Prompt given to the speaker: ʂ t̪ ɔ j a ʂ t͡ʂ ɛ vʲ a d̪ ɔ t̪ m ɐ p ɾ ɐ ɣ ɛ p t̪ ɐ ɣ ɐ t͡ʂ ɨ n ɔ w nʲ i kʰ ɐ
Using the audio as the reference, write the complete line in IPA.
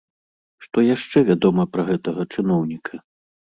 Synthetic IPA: ʂ t̪ ɔ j a ʂ t͡ʂ ɛ vʲ a d̪ ɔ m ɐ p ɾ ɐ ɣ ɛ t̪ ɐ ɣ ɐ t͡ʂ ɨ n ɔ w nʲ i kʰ ɐ